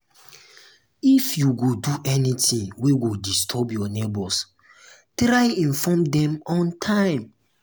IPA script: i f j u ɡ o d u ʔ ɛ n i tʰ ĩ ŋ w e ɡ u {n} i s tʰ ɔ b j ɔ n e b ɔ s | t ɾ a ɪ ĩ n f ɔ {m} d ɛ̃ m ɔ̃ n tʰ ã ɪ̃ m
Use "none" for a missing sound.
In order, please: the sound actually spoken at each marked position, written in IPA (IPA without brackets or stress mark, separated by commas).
d, m